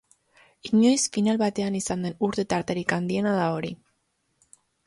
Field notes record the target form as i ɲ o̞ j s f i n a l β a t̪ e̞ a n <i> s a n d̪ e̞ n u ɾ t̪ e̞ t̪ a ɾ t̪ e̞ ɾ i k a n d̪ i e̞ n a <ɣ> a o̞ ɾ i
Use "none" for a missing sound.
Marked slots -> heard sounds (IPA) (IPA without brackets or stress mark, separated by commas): i, ð